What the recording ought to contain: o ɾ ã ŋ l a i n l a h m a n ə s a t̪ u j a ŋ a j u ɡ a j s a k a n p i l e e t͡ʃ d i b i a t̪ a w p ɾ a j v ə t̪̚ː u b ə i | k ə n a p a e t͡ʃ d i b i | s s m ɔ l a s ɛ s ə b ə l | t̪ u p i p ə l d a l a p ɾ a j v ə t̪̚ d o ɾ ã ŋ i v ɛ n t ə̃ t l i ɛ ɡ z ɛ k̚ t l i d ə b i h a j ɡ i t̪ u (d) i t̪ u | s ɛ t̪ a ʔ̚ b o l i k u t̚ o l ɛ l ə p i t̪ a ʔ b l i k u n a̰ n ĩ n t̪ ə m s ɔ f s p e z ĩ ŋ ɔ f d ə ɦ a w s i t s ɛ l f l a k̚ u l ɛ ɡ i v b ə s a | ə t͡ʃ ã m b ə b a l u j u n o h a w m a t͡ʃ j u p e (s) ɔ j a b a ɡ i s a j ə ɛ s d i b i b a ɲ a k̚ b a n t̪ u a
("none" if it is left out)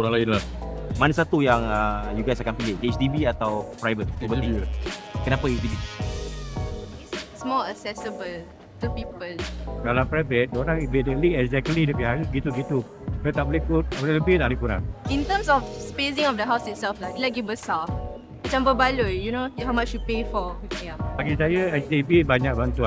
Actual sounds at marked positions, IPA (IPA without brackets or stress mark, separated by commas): ɡ, f